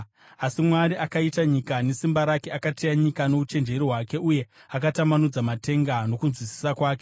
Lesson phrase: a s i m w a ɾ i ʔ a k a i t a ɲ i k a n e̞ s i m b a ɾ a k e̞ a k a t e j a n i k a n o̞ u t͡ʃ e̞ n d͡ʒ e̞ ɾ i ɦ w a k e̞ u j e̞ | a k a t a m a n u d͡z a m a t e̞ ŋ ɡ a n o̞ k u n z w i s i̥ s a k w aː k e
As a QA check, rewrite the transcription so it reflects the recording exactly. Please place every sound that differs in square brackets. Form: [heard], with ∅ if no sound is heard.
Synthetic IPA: a s i m w a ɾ i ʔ a k a i t a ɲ i k a n e̞ s i m b a ɾ a k e̞ a k a t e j a [ɲ] i k a n o̞ u t͡ʃ e̞ n d͡ʒ e̞ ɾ i ɦ w a k e̞ u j e̞ | a k a t a m a n u d͡z a m a t e̞ ŋ ɡ a n o̞ k u n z w i s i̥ s a k w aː k e